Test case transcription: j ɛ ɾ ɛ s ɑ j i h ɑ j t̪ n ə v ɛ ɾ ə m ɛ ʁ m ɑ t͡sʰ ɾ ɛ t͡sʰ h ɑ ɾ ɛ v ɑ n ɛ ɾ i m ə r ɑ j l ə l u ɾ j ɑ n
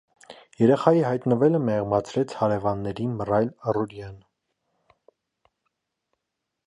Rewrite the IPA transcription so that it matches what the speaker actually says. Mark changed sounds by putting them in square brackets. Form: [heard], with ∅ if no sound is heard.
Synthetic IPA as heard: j ɛ ɾ ɛ [χ] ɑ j i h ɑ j t̪ n ə v ɛ [l] ə m ɛ ʁ m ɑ t͡sʰ ɾ ɛ t͡sʰ h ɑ ɾ ɛ v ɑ [nː] ɛ ɾ i m ə r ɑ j l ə [r] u ɾ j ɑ n